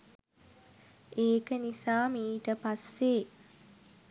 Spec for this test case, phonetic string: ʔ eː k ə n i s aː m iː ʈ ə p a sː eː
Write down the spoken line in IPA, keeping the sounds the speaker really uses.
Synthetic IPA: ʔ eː k ə n i s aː m iː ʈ ə p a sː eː